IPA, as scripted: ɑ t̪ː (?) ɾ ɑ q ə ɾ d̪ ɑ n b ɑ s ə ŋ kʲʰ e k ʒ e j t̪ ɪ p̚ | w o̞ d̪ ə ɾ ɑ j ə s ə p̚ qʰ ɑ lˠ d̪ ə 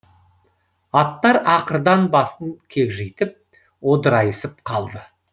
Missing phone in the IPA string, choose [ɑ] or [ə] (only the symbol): ɑ